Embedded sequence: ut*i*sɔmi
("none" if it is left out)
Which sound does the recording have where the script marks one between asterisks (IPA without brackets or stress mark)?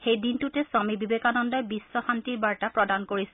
ɛ